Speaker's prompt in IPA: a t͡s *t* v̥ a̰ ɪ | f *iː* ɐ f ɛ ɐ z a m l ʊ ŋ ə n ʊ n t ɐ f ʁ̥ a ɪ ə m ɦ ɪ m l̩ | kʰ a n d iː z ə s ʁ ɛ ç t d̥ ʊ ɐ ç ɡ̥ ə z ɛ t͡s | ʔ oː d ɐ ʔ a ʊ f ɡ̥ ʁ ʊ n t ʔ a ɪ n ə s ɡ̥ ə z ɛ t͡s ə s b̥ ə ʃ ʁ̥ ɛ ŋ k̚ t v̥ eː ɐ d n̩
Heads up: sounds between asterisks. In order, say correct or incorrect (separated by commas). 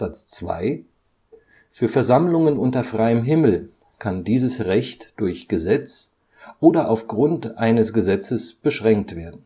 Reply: incorrect, incorrect